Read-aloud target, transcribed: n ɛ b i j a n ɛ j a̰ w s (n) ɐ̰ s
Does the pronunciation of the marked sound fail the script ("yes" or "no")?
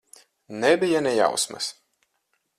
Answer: yes